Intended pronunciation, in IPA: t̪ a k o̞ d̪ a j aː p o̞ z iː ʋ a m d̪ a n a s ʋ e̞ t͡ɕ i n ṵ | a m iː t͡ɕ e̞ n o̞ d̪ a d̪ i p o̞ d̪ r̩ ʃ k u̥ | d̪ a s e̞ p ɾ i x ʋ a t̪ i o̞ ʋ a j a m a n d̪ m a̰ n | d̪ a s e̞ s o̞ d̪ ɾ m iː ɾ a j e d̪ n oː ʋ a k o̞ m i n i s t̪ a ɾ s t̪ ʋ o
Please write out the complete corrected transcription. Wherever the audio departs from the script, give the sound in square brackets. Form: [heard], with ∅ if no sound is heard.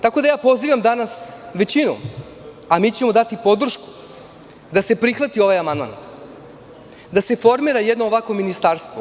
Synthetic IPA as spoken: t̪ a k o̞ d̪ a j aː p o̞ z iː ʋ a m d̪ a n a s ʋ e̞ t͡ɕ i n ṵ | a m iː t͡ɕ e̞ [m] o̞ d̪ a [t̪] i p o̞ d̪ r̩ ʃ k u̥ | d̪ a s e̞ p ɾ i x ʋ a t̪ i o̞ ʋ a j a m a n d̪ m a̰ n | d̪ a s e̞ [f] o̞ [∅] ɾ m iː ɾ a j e d̪ n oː ʋ a k o̞ m i n i s t̪ a ɾ s t̪ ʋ o